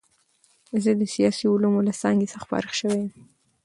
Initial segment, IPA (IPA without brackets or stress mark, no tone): z